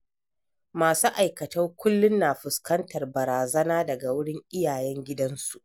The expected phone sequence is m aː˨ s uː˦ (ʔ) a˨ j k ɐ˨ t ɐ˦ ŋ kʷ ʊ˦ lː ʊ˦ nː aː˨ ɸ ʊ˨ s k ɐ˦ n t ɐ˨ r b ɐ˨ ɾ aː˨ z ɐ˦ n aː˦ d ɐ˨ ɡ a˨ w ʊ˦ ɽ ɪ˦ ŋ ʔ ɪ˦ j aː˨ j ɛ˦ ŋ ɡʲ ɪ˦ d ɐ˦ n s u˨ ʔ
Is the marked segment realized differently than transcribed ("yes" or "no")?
no